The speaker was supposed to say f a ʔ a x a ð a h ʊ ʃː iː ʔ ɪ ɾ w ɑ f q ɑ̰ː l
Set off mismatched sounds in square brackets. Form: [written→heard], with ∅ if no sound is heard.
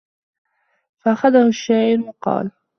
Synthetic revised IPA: f a ʔ a x a ð a h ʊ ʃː [iː→aː] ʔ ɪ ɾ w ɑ [f→∅] q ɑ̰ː l